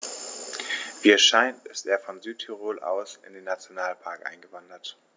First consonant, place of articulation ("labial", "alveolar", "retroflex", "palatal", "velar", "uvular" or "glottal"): labial